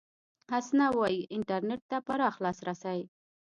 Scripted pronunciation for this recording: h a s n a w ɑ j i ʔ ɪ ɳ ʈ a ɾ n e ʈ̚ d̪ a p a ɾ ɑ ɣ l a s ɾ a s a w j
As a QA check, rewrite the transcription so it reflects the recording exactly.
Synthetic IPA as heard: h a s n a w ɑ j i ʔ ɪ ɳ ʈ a ɾ n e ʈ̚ t̪ a p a ɾ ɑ x l ɑ s ɾ a s a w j